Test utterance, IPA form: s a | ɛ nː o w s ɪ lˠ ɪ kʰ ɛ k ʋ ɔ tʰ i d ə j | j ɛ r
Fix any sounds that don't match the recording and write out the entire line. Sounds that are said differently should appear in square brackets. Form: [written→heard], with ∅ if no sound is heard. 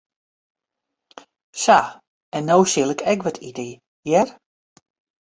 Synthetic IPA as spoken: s a | ɛ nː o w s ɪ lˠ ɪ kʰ ɛ k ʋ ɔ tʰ i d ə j | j ɛ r